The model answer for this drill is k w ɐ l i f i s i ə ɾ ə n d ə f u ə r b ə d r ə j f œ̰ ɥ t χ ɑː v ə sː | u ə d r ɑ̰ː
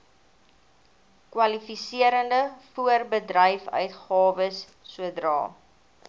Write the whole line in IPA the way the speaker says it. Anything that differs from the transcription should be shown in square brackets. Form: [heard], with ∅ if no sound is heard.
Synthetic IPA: k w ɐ l i f i s i ə ɾ ə n d ə f u ə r b ə d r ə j f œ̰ ɥ t χ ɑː v ə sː | u ə d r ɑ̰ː